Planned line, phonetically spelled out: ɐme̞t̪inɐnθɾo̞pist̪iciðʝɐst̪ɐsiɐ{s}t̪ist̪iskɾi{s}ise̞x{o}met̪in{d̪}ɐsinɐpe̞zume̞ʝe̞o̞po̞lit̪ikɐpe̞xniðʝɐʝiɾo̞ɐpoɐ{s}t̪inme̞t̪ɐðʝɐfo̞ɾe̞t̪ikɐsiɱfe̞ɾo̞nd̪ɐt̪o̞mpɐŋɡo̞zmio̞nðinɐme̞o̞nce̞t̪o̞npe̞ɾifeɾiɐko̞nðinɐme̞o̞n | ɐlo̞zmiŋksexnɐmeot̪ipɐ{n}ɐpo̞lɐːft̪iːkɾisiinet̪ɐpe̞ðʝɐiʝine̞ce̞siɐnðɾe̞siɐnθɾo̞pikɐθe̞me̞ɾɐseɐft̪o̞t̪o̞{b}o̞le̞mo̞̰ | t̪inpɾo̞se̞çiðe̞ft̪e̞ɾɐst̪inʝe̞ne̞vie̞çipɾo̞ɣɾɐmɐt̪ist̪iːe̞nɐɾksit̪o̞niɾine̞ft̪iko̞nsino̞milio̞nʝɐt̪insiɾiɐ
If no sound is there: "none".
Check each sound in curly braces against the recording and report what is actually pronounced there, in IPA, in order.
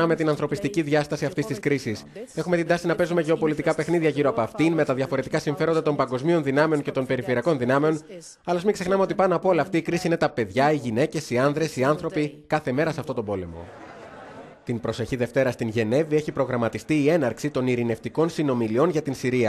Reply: f, s, u, d̪, f, n, b

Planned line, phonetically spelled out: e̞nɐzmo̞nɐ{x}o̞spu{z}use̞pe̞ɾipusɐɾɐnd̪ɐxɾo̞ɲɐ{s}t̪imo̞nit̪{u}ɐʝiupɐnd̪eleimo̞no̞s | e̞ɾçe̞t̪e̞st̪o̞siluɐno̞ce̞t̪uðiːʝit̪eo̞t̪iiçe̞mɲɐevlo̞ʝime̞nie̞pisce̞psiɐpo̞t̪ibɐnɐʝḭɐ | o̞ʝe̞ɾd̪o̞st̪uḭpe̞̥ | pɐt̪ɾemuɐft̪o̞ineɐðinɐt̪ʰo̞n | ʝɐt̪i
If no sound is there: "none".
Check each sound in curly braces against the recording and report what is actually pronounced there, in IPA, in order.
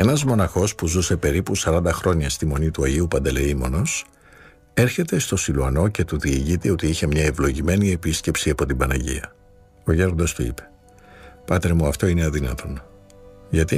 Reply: x, z, s, u

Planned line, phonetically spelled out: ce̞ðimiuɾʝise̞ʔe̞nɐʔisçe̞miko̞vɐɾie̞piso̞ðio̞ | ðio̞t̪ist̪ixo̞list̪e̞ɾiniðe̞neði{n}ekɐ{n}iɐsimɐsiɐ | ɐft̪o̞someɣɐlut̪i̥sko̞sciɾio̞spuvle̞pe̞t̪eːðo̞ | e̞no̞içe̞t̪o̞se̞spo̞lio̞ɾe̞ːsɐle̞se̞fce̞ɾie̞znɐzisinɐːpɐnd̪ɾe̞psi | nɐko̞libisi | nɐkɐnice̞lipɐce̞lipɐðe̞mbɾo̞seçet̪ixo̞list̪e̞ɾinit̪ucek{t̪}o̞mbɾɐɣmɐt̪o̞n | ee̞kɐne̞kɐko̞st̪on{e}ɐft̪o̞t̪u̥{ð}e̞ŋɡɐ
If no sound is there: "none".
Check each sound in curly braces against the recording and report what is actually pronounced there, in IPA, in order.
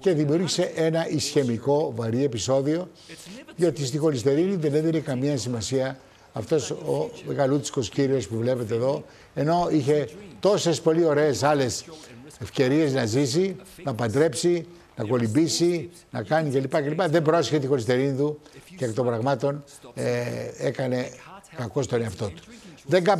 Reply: n, m, t̪, e, ð

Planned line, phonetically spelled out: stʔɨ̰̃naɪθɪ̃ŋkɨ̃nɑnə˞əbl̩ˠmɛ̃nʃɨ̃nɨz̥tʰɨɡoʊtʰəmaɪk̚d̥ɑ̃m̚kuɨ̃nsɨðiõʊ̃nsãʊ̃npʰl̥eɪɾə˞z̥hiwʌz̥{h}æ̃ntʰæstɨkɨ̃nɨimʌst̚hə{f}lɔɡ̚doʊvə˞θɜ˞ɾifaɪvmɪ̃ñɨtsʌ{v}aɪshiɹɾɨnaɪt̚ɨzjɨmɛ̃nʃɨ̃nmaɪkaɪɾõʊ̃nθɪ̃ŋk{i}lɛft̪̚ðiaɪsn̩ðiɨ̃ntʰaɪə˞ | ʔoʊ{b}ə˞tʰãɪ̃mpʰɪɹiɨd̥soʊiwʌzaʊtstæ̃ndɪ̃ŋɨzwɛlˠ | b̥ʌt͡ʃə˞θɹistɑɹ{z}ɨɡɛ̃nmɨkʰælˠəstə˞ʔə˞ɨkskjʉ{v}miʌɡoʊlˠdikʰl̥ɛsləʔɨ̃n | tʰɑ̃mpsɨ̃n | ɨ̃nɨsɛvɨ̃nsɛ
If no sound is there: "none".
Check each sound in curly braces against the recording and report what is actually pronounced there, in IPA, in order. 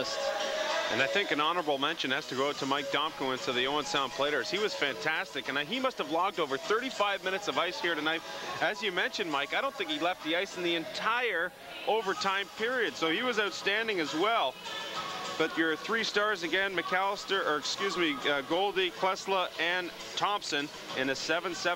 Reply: f, v, v, i, v, z, z

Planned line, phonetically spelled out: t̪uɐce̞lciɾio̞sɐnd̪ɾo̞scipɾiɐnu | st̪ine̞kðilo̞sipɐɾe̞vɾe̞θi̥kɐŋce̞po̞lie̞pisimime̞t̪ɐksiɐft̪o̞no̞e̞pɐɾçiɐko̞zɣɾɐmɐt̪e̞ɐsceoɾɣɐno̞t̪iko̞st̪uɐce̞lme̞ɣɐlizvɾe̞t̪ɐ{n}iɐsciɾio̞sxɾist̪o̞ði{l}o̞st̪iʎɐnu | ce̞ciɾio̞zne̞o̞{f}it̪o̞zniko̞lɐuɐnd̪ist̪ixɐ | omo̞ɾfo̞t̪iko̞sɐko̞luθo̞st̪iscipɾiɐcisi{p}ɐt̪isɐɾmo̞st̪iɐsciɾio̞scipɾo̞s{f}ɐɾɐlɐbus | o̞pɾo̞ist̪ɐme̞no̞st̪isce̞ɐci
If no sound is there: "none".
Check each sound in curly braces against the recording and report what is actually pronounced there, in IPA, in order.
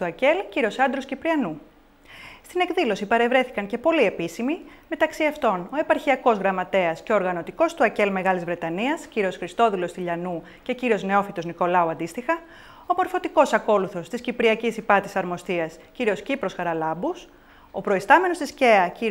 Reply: n, l, f, p, x

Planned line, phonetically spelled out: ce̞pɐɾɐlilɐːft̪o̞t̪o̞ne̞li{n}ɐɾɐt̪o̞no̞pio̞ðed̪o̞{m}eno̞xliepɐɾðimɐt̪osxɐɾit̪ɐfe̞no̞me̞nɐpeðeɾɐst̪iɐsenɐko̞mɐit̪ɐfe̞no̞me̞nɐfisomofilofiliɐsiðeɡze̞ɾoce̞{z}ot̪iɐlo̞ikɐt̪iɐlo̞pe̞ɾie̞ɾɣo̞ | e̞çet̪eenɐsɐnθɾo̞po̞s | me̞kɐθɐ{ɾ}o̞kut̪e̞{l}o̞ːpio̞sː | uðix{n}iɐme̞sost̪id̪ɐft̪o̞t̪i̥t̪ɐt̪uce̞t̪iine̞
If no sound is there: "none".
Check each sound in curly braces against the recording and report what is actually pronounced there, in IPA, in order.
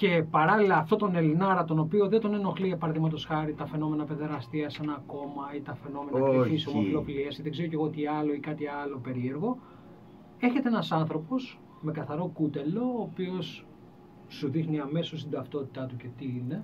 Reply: n, n, ɣ, ɾ, l, n

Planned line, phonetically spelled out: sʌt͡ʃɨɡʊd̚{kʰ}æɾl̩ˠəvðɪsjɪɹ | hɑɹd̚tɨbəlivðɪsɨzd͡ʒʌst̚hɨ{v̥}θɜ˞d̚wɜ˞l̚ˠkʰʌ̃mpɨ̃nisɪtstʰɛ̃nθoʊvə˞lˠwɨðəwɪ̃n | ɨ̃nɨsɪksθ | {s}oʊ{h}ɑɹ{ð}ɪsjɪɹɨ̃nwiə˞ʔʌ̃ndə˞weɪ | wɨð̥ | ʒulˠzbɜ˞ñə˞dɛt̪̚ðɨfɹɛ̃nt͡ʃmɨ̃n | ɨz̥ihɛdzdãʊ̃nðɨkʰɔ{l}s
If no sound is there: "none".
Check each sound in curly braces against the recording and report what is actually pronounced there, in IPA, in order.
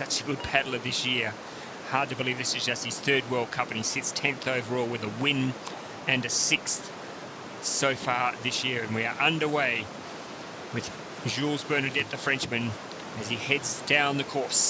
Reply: pʰ, z̥, s, f, ð, ɹ

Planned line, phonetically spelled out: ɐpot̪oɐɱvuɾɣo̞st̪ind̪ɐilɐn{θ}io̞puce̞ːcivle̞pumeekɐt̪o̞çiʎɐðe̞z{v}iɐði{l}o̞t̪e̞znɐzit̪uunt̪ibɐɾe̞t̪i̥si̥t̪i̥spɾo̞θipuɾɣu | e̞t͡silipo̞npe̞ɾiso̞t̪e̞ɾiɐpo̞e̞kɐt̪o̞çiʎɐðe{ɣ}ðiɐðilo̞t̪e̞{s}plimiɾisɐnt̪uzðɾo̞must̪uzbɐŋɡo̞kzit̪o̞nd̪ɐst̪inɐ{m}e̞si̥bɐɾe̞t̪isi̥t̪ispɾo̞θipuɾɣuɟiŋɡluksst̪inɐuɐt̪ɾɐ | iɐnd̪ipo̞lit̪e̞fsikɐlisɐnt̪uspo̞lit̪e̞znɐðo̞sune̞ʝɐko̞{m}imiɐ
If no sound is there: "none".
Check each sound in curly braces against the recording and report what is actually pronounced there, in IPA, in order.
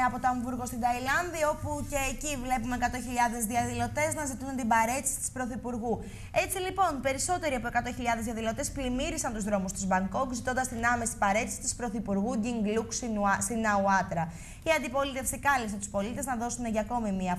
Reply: ð, ð, l, z, s, m, m

